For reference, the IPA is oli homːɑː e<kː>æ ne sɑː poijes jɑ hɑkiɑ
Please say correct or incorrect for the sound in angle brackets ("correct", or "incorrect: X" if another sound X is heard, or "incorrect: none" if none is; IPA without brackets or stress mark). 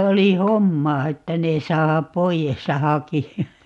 incorrect: tː